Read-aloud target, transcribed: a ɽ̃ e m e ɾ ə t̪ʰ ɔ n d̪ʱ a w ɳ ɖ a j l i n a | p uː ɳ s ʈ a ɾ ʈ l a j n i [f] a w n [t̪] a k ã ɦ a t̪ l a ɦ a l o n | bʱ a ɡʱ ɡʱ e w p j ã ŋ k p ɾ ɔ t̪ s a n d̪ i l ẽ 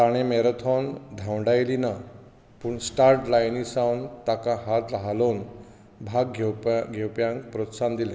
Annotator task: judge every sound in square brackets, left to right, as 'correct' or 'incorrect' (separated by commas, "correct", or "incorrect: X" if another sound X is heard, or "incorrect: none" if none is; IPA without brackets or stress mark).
incorrect: s, correct